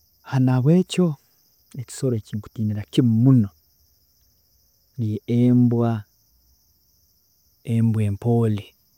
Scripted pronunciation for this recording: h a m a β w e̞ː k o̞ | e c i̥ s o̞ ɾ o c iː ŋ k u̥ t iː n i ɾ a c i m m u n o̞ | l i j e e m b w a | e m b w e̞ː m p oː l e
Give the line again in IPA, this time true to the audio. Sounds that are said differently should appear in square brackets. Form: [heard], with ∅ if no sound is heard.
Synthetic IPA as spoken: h a [n] a β w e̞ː [c] o̞ | e c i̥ s o̞ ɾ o c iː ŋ k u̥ t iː n i ɾ a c i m m u n o̞ | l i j e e m b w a | e m b w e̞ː m p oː l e